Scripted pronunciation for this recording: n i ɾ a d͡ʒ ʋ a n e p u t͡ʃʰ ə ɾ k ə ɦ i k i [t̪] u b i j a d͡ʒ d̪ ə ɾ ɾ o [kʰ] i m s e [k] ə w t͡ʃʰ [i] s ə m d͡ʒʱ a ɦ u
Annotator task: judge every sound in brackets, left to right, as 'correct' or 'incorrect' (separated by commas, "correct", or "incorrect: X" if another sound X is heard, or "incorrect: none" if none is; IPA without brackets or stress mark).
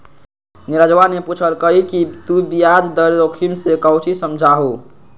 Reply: correct, correct, correct, correct